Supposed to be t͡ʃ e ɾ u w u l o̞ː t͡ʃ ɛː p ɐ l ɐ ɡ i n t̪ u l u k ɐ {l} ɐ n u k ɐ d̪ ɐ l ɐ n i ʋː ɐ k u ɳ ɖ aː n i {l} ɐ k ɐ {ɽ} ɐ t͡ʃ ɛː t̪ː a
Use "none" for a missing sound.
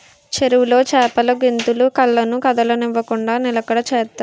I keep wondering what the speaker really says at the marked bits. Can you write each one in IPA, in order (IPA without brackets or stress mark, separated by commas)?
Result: lː, l, ɽ